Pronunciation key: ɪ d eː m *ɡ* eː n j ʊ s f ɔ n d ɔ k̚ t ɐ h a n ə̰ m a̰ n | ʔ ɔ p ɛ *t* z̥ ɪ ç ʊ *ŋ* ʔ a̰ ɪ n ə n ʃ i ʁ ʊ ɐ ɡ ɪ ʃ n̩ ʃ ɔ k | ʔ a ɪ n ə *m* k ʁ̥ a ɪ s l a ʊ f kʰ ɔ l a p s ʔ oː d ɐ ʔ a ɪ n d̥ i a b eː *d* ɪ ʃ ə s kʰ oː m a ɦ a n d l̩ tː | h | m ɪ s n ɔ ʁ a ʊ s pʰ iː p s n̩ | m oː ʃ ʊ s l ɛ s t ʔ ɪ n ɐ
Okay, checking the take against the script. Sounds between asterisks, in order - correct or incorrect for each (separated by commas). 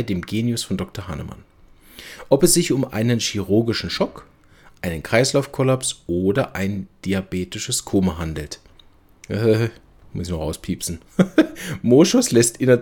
correct, incorrect, incorrect, incorrect, incorrect